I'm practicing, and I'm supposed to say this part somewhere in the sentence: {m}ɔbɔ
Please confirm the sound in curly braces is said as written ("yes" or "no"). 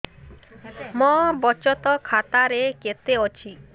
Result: yes